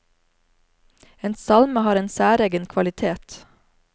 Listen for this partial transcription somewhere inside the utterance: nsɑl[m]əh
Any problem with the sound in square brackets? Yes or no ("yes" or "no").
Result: no